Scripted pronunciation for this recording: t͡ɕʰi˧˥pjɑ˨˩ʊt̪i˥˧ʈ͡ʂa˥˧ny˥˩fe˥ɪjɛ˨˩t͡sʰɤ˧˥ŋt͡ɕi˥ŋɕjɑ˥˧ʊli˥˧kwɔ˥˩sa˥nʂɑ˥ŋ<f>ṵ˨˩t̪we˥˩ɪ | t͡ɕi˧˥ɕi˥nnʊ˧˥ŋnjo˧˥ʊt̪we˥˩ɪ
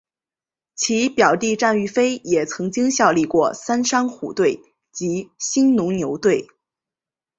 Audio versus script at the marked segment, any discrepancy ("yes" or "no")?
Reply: yes